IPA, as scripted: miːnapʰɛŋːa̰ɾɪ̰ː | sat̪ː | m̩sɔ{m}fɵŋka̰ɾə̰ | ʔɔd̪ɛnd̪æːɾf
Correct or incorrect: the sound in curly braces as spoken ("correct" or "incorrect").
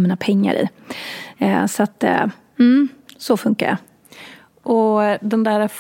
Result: incorrect